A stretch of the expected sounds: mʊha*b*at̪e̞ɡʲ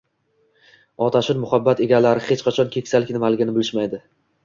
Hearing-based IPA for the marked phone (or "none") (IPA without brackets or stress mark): bː